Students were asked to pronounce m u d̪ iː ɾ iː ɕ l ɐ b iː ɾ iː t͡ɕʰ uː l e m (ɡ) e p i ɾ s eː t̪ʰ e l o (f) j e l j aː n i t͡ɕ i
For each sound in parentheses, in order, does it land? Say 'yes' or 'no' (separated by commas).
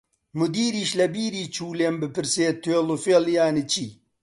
no, yes